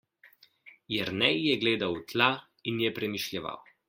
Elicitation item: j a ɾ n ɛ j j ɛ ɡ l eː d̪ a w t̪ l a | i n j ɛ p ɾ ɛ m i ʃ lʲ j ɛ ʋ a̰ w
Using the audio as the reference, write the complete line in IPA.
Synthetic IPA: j ɛ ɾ n ɛ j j ɛ ɡ l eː d̪ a w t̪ l a | i n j ɛ p ɾ ɛ m i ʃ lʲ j ɛ ʋ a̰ w